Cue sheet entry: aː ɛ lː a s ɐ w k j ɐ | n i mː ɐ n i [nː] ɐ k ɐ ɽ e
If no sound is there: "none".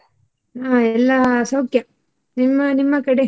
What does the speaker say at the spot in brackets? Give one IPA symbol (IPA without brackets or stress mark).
mː